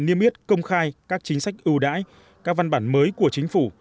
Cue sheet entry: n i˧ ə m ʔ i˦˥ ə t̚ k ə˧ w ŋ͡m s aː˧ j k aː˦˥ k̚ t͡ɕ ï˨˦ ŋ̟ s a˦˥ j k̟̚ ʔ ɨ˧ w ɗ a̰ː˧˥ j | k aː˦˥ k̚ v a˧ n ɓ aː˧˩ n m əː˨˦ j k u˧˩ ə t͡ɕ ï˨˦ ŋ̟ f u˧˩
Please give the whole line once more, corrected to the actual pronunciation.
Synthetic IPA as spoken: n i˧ ə m ʔ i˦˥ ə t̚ k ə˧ w ŋ͡m x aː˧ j k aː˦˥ k̚ t͡ɕ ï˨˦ ŋ̟ s a˦˥ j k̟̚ ʔ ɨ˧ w ɗ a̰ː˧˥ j | k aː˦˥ k̚ v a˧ n ɓ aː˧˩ n m əː˨˦ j k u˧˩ ə t͡ɕ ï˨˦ ŋ̟ f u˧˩